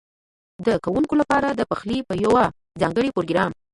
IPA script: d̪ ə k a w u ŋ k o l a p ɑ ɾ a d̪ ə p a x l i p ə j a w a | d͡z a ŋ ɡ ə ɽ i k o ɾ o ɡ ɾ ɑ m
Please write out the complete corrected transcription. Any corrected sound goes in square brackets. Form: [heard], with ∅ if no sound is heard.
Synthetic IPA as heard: d̪ ə k a w u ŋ k o l a p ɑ ɾ a d̪ ə p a x l i p ə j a w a | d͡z [ɑ] ŋ ɡ ə ɽ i [p] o ɾ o ɡ ɾ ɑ m